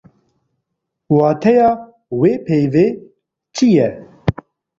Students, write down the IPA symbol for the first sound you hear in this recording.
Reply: w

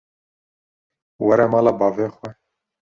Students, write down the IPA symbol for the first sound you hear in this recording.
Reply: w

